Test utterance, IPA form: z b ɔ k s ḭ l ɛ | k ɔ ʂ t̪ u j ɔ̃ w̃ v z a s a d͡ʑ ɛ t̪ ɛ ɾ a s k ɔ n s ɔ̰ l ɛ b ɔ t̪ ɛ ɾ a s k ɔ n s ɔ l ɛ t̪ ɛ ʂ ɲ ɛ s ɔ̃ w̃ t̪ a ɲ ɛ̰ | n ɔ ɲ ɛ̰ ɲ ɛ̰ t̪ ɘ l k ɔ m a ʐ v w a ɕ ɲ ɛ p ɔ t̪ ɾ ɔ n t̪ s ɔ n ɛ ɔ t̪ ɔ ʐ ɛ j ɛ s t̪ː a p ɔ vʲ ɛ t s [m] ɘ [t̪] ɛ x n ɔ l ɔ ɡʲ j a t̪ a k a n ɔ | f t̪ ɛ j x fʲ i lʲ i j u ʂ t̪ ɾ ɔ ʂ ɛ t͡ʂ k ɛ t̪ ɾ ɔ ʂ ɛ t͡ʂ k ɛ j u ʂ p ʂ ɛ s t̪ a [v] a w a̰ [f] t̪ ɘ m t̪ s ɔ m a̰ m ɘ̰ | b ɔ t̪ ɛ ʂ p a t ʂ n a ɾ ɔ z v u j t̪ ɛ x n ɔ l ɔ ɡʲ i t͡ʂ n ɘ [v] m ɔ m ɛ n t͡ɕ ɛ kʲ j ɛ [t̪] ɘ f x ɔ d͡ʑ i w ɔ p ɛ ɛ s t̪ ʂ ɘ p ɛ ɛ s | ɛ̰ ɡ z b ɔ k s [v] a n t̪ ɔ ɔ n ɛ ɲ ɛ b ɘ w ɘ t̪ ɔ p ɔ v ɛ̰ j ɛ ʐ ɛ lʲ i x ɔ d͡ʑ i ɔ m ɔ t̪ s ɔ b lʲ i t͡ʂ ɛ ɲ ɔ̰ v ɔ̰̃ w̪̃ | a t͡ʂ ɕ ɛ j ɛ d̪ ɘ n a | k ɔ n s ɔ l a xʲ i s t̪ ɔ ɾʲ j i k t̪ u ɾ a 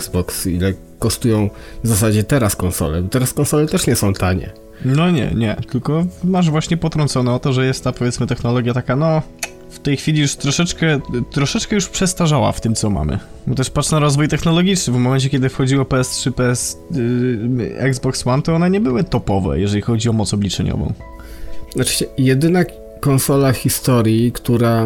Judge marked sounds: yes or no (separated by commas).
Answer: yes, yes, no, yes, yes, no, no